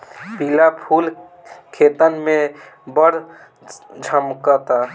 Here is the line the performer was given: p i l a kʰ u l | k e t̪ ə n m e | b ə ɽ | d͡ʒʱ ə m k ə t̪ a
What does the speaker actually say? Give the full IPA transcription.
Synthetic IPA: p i l a pʰ u l | kʰ e t̪ ə n m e | b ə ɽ | d͡ʒʱ ə m k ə t̪ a